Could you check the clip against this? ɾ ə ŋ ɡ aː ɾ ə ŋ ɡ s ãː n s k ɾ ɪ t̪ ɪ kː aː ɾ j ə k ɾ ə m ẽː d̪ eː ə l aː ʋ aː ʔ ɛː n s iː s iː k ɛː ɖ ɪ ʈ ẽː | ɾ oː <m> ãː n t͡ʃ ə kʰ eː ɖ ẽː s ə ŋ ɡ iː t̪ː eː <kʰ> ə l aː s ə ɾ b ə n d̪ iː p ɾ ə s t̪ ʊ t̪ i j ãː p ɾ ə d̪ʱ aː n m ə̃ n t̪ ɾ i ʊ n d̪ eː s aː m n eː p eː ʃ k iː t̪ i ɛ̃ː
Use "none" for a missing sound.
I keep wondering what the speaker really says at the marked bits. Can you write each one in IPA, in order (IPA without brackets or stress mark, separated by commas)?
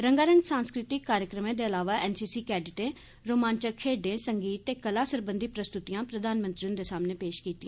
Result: m, k